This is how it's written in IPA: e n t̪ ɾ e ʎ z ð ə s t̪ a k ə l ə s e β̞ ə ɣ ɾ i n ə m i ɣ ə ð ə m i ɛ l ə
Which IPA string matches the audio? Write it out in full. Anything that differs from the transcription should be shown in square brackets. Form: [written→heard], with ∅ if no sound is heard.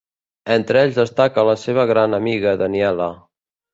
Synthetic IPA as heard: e n t̪ ɾ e ʎ z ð ə s t̪ a k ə l ə s e β̞ ə ɣ ɾ [i→a] n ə m i ɣ ə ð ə [m→n] i ɛ l ə